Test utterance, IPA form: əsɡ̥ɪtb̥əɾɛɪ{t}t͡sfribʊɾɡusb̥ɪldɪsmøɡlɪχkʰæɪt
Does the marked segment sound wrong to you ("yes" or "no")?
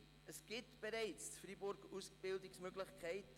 yes